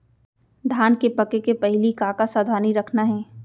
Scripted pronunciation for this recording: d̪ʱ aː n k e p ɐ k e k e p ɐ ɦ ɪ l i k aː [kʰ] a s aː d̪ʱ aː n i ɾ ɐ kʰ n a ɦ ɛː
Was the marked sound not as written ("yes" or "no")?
yes